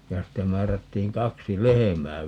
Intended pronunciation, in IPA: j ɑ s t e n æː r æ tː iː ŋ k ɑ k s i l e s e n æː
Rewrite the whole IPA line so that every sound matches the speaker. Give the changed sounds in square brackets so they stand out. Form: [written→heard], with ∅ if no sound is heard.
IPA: j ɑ s t e [n→m] æː r æ tː iː ŋ k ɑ k s i l e [s→h] e [n→m] æː